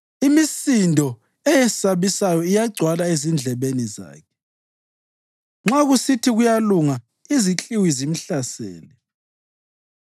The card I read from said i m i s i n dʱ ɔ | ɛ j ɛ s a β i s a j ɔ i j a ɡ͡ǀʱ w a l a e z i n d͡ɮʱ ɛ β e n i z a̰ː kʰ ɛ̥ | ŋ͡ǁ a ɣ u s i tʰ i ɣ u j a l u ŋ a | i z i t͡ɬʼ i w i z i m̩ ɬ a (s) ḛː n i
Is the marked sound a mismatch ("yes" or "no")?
no